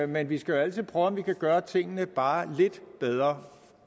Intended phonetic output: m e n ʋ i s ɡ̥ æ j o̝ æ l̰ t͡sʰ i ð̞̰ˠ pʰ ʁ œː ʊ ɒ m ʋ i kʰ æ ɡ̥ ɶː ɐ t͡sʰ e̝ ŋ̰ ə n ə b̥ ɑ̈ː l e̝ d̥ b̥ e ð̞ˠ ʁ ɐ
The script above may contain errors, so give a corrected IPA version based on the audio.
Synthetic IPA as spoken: m e n ʋ i s ɡ̥ æ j o̝ æ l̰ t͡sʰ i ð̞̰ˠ pʰ ʁ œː ʊ ɒ m ʋ i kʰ æ ɡ̥ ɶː ɐ t͡sʰ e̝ ŋ̰ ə n ə b̥ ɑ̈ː l e̝ d̥ b̥ e ð̞ˠ ʁ ɐ